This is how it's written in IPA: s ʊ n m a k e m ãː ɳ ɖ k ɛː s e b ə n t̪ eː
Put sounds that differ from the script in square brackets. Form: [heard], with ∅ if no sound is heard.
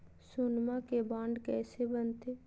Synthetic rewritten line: s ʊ n m a k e [b] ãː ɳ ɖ k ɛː s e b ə n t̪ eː